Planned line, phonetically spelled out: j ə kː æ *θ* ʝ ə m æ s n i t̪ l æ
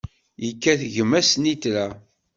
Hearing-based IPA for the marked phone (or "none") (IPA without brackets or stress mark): θ